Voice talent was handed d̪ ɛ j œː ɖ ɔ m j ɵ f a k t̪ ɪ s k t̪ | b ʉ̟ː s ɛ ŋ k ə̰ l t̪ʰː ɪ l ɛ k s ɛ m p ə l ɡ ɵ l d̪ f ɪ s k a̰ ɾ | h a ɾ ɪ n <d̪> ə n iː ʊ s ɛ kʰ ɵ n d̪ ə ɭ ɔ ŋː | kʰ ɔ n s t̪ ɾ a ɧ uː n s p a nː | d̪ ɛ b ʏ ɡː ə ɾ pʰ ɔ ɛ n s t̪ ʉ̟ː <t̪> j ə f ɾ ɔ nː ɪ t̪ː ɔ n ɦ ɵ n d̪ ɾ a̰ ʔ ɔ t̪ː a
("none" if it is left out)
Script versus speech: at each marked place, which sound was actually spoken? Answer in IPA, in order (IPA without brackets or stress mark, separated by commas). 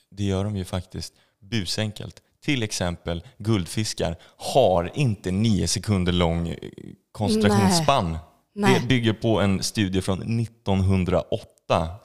t̪, d̪